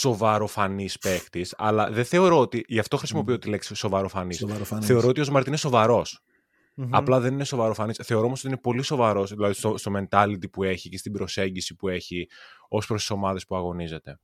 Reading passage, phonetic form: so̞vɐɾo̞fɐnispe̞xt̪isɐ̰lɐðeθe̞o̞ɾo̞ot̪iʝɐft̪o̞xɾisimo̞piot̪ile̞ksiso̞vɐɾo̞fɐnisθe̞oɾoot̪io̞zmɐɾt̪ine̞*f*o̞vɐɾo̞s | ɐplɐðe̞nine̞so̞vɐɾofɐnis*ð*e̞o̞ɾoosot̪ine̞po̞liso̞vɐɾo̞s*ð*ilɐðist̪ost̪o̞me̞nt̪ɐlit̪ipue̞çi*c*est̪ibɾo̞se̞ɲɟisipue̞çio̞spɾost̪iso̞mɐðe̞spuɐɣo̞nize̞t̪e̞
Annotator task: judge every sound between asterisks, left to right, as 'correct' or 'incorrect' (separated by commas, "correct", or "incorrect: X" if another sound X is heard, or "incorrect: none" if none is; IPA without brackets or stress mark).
incorrect: s, incorrect: θ, correct, correct